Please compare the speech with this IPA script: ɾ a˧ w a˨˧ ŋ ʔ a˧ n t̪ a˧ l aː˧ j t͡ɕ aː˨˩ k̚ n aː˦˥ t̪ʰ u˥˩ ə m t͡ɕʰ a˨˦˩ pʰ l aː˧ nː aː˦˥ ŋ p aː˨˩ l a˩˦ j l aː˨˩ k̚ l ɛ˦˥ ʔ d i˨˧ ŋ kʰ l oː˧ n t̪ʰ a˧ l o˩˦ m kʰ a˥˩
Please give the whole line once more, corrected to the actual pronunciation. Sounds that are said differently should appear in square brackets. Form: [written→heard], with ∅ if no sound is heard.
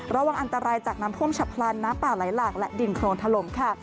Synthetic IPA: ɾ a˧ w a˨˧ ŋ ʔ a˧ n t̪ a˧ [l→ɾ] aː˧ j t͡ɕ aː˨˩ k̚ n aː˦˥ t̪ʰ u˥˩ ə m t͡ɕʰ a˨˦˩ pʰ l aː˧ nː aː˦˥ [ŋ→m] p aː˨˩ l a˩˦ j l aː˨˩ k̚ l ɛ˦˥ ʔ d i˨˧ [ŋ→n] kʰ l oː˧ n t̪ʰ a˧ l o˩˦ m kʰ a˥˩